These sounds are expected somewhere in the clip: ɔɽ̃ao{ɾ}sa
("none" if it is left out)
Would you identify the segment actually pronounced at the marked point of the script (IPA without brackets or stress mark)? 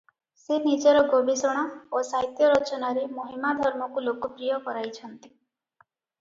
none